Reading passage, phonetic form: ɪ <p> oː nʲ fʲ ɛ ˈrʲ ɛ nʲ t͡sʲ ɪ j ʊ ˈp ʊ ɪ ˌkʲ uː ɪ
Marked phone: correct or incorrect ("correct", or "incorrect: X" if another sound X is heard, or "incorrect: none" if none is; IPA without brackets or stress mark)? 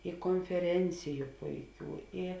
incorrect: k